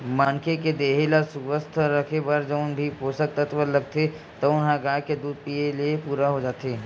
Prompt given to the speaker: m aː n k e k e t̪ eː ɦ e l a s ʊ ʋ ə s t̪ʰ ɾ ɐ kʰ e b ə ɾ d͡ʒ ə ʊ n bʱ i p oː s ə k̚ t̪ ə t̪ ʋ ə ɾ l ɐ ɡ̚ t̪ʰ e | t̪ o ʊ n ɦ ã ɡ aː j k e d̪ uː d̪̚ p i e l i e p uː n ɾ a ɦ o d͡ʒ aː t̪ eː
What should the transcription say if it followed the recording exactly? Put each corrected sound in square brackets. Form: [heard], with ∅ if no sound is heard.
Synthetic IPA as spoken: m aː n k e k e [d̪] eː ɦ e l a s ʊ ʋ ə s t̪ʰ ɾ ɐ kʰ e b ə ɾ d͡ʒ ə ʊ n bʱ i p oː s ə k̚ t̪ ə t̪ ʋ ə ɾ l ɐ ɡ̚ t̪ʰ e | t̪ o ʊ n ɦ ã ɡ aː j k e d̪ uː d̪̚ p i e l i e p uː [∅] ɾ a ɦ o d͡ʒ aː t̪ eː